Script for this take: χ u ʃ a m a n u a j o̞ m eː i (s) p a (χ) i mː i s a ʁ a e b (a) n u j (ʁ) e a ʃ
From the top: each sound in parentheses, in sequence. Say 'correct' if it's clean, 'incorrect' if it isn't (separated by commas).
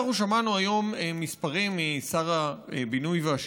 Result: correct, incorrect, incorrect, incorrect